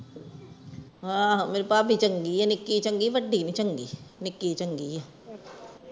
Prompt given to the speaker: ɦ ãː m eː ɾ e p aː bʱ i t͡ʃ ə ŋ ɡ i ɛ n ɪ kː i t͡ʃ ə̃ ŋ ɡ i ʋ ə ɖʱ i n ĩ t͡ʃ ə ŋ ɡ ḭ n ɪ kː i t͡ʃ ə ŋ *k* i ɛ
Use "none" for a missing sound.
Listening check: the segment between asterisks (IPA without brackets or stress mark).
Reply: ɡ